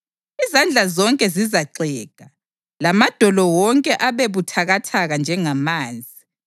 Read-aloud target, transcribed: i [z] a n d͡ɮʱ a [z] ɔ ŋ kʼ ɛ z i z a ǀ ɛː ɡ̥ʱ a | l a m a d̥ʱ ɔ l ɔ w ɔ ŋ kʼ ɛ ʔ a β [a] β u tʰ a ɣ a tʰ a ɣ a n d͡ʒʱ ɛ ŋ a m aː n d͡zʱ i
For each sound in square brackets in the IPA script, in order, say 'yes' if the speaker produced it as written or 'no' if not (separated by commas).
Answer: yes, yes, no